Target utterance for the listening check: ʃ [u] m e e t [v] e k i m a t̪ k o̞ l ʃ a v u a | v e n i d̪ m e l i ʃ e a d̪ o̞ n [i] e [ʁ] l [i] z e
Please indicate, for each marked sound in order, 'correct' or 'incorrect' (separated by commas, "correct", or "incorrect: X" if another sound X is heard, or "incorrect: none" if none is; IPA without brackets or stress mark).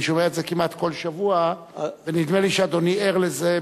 incorrect: o, incorrect: z, correct, correct, incorrect: e